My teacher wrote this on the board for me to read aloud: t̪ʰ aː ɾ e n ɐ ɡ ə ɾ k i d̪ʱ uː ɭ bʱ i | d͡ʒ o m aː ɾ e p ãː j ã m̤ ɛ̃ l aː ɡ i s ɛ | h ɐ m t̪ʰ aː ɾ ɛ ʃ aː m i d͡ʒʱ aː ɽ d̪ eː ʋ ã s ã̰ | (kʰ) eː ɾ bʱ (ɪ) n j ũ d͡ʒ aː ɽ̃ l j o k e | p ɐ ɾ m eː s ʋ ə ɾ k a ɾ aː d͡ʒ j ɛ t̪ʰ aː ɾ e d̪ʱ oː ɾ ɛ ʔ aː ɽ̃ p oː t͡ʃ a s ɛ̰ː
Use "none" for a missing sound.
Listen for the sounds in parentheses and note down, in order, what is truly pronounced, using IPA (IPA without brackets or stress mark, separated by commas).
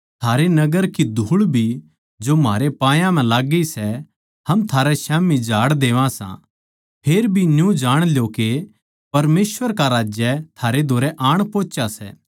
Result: pʰ, i